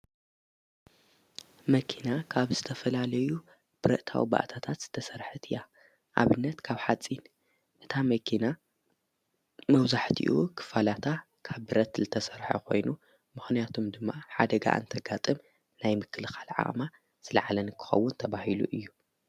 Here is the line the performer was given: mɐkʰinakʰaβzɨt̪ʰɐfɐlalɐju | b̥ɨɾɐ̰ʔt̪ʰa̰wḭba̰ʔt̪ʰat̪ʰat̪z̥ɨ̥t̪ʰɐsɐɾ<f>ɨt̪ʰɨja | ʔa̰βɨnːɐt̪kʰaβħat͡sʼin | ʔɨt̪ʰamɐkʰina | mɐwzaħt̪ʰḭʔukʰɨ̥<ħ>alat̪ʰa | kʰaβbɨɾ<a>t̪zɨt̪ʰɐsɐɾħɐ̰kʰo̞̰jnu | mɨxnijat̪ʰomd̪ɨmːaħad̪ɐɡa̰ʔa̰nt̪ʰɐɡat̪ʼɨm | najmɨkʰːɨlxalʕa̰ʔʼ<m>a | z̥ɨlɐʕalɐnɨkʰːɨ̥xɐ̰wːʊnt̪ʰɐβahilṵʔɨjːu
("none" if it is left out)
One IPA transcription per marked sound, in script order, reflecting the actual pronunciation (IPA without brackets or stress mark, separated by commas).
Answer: ħ, f, ɐ, m